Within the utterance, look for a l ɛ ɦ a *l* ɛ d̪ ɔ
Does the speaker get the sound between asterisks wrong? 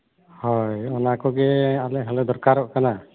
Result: no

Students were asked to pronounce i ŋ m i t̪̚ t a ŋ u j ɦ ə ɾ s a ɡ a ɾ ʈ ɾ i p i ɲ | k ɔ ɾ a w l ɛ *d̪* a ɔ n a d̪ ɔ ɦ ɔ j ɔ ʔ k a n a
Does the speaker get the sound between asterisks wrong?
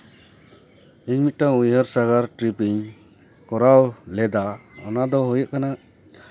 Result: no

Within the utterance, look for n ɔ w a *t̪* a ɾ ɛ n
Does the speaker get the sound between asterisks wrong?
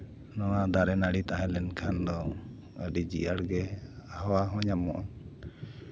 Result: yes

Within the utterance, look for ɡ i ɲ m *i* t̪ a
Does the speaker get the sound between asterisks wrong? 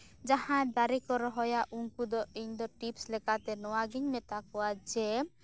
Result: yes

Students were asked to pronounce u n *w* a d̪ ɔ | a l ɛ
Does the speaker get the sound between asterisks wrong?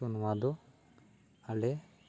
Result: no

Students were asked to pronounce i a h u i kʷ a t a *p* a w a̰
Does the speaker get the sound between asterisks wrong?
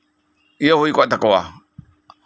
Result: yes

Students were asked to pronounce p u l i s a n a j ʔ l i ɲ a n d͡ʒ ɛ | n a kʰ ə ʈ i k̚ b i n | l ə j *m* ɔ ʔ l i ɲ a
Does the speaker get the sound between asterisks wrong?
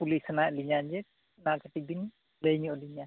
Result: yes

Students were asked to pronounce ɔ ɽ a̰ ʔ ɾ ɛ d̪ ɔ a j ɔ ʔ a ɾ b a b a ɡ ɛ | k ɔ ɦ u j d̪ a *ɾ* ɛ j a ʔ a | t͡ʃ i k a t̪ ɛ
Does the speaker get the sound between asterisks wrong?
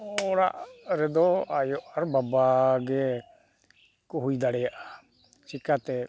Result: yes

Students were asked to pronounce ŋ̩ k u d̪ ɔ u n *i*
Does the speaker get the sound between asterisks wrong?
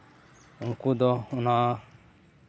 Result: yes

